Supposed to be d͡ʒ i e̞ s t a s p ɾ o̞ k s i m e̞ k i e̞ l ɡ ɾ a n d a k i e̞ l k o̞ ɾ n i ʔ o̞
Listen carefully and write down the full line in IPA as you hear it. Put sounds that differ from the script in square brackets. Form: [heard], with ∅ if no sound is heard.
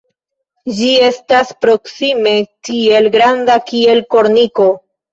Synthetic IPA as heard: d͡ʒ i e̞ s t a s p ɾ o̞ k s i m e̞ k i e̞ l ɡ ɾ a n d a k i e̞ l k o̞ ɾ n i [k] o̞